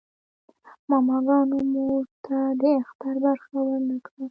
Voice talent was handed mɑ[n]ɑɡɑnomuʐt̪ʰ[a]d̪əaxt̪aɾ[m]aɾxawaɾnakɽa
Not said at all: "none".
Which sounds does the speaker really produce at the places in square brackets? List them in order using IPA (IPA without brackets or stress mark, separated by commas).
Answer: m, a, b